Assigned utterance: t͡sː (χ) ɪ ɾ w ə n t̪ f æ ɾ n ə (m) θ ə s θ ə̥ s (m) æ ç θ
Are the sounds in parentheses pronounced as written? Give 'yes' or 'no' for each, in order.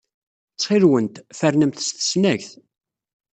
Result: yes, yes, no

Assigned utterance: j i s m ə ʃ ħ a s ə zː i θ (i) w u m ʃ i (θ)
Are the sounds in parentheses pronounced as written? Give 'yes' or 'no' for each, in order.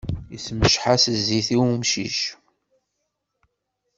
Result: yes, no

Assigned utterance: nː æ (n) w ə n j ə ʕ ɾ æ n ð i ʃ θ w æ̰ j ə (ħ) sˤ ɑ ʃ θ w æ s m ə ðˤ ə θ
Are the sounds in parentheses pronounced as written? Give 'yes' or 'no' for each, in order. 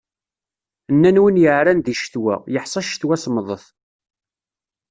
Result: yes, yes

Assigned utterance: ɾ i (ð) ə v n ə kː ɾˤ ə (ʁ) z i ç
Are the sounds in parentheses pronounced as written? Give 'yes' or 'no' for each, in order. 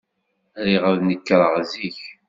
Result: no, yes

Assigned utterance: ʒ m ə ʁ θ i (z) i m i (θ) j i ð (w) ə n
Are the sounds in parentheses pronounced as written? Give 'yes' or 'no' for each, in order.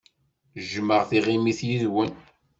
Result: no, yes, yes

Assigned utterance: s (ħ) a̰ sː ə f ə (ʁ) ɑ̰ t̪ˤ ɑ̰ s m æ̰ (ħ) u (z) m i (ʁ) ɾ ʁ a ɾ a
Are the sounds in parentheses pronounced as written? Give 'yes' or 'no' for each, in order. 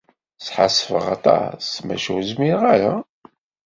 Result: yes, yes, no, yes, no

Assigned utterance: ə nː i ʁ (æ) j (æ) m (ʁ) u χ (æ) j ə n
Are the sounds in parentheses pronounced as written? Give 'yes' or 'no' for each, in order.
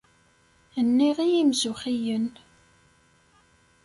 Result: no, no, no, no

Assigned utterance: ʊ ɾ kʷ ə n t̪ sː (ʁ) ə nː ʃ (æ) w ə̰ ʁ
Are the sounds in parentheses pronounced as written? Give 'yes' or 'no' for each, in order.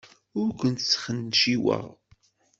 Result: no, no

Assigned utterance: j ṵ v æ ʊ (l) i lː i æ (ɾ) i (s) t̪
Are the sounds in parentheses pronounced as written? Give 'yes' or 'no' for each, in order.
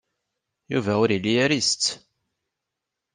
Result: no, yes, yes

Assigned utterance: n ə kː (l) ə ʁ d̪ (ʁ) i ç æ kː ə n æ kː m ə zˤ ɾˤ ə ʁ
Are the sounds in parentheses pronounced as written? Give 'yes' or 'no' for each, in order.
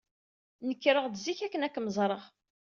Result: no, no

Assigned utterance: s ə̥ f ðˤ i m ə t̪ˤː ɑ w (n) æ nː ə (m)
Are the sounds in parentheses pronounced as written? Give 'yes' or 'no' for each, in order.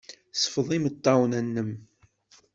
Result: yes, yes

